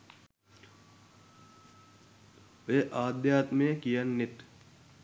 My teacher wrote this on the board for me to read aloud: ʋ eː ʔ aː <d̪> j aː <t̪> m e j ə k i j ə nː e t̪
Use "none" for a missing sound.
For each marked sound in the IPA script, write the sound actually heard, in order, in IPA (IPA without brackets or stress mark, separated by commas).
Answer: d̪, t̪